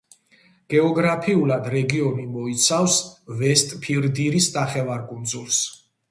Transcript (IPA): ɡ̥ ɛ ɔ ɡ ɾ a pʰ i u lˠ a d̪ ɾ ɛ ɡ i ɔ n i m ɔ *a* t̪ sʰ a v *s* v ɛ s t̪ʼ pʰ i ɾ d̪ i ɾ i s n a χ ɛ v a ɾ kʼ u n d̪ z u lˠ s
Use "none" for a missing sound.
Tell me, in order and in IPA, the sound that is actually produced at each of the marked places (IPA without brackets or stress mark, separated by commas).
i, s